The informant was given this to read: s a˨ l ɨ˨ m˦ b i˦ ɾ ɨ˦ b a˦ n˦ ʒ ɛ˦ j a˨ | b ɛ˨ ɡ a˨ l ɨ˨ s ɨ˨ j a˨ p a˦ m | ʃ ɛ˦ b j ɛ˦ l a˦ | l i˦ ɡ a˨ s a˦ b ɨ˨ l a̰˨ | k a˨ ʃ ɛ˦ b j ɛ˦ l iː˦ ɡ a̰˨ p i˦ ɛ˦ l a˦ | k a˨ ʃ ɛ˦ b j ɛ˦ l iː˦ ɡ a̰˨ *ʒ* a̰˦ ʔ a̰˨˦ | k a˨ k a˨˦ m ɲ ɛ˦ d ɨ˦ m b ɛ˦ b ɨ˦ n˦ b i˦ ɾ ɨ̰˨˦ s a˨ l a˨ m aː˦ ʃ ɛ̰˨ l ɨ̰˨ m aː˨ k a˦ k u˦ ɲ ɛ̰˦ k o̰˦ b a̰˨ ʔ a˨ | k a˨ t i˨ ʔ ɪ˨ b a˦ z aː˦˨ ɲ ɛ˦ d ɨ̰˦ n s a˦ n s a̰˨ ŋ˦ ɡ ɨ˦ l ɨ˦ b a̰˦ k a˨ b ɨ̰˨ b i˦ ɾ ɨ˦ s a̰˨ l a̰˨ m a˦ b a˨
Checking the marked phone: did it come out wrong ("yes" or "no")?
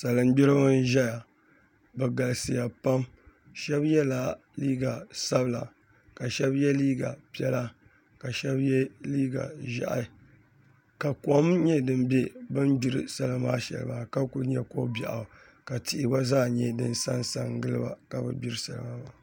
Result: no